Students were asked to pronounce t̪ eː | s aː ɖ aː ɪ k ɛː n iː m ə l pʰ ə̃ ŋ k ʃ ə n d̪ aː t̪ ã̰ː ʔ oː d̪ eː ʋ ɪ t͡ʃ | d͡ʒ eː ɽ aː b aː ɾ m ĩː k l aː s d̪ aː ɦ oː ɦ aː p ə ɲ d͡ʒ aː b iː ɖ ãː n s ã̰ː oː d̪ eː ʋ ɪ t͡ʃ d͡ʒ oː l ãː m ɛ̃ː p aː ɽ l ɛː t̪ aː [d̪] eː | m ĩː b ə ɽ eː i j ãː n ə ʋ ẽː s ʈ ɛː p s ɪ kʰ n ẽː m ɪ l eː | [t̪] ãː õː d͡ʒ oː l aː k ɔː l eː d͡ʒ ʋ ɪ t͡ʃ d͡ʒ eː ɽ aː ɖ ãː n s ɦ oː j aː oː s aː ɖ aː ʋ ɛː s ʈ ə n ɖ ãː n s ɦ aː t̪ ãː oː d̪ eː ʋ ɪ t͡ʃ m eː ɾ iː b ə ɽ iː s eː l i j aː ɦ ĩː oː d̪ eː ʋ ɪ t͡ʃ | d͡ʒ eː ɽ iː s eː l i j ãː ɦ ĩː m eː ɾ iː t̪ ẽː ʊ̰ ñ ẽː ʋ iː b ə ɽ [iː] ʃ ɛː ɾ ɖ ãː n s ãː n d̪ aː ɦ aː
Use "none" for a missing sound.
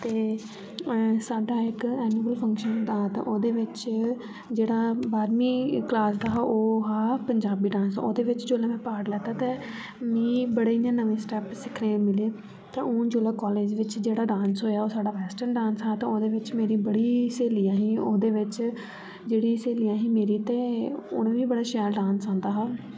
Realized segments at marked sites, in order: t̪, t̪, aː

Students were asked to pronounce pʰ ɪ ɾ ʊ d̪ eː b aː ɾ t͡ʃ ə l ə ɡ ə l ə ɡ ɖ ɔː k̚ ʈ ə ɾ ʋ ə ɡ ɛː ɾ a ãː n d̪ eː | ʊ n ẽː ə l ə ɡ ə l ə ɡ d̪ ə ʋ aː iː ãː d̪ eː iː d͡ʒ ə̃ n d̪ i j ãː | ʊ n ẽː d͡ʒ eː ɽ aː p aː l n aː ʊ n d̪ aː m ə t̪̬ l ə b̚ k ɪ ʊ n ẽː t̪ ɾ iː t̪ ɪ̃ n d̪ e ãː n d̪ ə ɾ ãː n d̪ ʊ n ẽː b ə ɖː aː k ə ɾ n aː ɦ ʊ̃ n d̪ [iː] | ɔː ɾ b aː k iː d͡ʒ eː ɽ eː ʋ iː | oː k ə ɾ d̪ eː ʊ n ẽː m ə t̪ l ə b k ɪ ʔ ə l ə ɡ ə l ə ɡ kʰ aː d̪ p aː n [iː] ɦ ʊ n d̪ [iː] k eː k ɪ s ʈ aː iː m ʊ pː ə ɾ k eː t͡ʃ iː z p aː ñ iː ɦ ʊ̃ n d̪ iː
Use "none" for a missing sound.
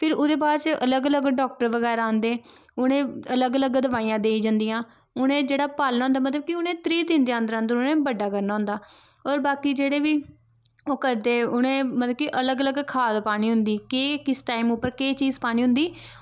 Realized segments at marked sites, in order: aː, iː, iː

